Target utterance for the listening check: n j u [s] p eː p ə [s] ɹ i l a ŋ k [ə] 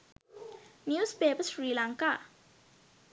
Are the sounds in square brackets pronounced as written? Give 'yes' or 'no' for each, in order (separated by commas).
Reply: yes, yes, no